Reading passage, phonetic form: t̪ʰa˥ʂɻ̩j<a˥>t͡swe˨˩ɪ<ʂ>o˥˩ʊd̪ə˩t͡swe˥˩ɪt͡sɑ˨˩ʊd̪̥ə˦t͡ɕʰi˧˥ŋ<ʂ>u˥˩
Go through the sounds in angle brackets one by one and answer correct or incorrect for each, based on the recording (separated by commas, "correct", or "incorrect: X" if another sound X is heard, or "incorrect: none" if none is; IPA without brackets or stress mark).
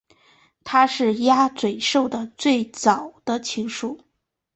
correct, correct, correct